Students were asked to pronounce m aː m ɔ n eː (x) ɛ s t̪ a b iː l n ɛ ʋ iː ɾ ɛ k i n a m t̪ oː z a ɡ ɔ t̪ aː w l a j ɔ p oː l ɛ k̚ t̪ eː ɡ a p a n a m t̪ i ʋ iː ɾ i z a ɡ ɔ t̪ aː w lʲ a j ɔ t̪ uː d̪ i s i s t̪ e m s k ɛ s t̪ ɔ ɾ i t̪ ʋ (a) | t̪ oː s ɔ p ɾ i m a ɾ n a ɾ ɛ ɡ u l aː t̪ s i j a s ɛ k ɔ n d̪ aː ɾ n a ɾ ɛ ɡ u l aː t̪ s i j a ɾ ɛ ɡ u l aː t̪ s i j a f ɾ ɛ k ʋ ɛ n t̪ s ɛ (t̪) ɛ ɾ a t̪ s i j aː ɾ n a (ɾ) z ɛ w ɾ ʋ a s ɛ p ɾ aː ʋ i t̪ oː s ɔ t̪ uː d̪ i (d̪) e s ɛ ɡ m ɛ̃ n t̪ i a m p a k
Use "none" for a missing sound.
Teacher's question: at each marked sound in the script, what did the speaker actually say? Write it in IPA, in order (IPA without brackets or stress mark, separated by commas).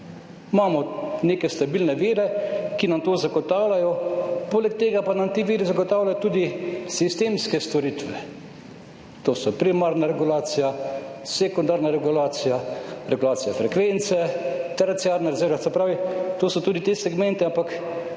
k, ɛ, t̪, ɾ, t̪